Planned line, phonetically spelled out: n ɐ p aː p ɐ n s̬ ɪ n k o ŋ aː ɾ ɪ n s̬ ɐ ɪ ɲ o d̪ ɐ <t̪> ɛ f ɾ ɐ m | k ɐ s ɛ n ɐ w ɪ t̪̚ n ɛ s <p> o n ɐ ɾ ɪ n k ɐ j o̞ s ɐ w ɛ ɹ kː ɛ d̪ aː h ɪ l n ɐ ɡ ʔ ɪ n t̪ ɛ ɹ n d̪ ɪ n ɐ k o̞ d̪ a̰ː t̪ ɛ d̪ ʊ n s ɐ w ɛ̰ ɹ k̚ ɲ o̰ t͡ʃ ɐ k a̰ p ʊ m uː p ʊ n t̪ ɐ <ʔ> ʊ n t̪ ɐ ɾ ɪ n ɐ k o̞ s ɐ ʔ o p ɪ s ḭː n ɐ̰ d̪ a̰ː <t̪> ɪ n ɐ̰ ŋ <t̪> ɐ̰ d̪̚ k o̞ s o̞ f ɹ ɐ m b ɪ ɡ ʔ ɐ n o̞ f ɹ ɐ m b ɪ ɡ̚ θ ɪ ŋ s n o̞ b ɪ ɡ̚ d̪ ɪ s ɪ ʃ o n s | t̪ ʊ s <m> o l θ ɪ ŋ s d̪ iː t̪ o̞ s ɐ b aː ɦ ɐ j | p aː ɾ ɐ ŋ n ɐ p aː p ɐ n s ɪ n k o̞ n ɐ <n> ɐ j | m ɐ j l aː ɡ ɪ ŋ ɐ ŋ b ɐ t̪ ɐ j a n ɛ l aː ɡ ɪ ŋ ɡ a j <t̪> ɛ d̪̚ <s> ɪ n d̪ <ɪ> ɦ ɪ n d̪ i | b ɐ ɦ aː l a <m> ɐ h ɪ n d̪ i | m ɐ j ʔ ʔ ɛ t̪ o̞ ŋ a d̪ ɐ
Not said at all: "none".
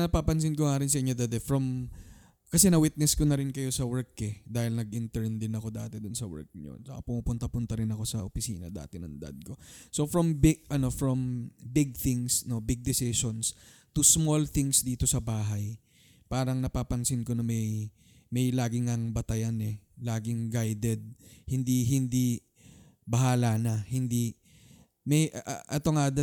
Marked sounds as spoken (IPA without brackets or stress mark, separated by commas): d̪, k, p, t̪, d̪, m, m, d̪, h, i, n